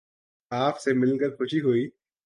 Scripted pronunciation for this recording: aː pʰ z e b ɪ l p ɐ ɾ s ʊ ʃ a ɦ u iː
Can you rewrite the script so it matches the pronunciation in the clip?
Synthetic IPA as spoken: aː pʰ s e m ɪ l k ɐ ɾ x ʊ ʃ i ɦ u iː